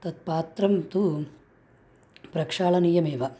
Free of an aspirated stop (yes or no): yes